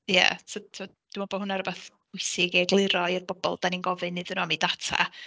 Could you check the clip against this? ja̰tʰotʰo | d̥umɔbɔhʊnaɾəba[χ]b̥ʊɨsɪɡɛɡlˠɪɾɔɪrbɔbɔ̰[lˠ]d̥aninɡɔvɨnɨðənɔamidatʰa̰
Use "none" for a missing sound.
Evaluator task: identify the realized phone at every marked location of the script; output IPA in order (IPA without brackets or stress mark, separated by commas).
θ, lˠ